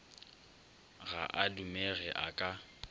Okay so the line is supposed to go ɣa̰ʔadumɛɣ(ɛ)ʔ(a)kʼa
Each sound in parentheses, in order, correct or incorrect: correct, correct

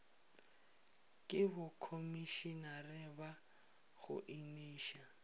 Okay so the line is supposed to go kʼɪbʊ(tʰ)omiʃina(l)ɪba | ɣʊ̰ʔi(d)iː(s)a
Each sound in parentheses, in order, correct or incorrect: incorrect: kʰ, incorrect: r, incorrect: n, incorrect: ʃ

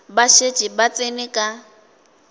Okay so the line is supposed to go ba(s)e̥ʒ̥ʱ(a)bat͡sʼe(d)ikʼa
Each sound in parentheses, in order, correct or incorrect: incorrect: ʃ, incorrect: i, incorrect: n

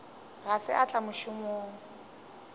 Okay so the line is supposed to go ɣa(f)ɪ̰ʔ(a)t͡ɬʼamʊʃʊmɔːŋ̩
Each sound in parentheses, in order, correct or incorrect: incorrect: s, correct

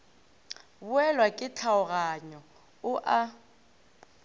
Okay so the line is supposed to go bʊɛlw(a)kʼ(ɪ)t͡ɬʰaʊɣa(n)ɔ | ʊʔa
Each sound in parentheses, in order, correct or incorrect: correct, correct, incorrect: ɲ

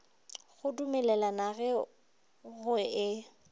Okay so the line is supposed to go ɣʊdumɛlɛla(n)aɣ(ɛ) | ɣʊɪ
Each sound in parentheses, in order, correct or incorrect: correct, correct

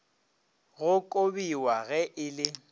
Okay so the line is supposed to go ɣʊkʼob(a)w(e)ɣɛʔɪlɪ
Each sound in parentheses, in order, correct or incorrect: incorrect: i, incorrect: a

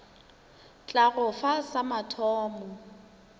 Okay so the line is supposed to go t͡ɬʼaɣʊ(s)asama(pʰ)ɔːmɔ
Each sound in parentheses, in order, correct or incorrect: incorrect: f, incorrect: tʰ

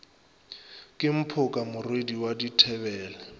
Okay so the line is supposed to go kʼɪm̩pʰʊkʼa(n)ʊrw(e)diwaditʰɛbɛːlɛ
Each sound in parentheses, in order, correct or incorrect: incorrect: m, correct

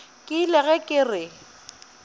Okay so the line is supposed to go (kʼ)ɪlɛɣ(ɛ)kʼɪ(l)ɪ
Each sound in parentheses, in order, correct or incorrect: correct, correct, incorrect: r

